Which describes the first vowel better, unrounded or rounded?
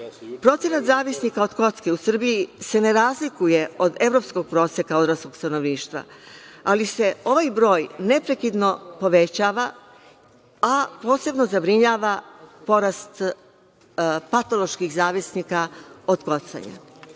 rounded